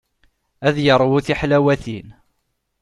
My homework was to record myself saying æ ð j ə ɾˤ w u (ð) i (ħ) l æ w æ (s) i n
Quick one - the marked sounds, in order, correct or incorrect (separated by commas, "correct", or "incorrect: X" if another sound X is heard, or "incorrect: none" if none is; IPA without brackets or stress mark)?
incorrect: θ, correct, incorrect: θ